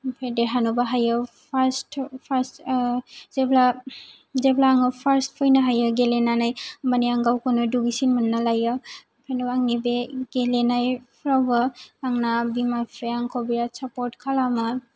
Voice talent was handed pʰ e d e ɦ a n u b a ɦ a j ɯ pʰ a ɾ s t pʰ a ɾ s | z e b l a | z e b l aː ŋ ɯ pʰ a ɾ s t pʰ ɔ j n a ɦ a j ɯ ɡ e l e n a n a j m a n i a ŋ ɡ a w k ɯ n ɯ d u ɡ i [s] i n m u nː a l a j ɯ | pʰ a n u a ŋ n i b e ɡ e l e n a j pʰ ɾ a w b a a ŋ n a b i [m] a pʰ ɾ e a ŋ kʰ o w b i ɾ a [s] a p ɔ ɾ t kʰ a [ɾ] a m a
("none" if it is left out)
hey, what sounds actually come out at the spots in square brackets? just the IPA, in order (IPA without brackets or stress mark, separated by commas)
s, m, s, l